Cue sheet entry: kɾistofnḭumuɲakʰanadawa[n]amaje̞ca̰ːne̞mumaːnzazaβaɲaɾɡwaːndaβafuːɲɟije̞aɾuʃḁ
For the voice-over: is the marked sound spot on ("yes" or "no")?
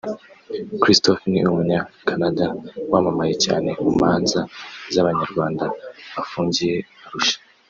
no